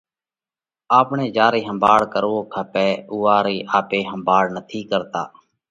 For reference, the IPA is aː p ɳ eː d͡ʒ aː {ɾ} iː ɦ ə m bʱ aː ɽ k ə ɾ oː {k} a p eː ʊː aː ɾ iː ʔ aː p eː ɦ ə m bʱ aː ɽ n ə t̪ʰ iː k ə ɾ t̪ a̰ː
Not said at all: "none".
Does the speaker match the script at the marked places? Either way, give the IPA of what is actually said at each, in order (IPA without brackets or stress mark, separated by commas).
ɾ, kʰ